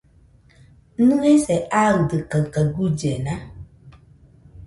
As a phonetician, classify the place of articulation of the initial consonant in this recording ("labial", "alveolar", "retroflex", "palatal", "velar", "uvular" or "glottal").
alveolar